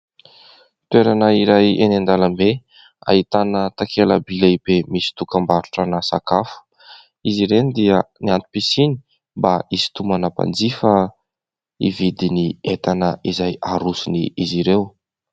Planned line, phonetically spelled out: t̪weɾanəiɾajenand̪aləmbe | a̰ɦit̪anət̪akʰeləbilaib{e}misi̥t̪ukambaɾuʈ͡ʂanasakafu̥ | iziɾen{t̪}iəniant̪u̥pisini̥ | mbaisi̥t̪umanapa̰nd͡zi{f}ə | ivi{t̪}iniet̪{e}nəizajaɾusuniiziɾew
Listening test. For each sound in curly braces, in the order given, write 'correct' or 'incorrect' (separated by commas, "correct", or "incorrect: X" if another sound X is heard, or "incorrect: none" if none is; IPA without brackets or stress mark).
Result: correct, incorrect: d̪, correct, incorrect: d̪, incorrect: a